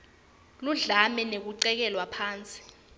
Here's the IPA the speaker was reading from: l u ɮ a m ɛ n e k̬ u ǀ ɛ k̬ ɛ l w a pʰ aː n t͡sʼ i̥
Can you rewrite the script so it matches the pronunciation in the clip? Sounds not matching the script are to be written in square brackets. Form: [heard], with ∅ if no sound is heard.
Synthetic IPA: l u ɮ a m ɛ n e k̬ u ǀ ɛ k̬ ɛ l w a pʰ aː n t͡sʼ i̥